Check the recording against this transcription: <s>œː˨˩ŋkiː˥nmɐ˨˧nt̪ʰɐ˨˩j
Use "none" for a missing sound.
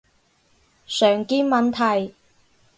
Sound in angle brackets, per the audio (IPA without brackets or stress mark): s